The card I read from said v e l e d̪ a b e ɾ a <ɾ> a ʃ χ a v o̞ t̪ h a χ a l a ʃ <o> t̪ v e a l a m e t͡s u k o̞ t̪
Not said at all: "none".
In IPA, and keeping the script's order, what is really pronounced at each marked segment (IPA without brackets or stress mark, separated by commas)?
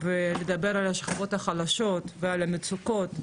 l, o